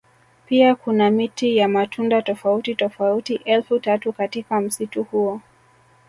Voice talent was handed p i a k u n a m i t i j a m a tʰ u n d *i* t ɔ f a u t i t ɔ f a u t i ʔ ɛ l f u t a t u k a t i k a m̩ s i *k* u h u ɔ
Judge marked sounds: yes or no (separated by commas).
no, no